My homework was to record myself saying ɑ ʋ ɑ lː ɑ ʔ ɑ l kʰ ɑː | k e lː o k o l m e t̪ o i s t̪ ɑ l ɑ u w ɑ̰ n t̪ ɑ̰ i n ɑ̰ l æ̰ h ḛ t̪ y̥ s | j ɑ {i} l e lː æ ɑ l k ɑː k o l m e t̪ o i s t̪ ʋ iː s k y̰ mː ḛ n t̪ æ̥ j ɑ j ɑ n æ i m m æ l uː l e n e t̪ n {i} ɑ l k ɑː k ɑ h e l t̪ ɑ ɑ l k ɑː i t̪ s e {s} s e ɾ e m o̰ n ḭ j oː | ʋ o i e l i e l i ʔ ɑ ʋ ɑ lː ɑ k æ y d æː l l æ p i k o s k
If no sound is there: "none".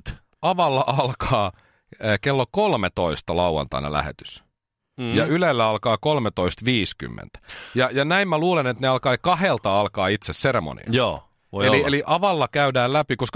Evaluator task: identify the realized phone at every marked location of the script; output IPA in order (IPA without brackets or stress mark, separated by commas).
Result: y, e, s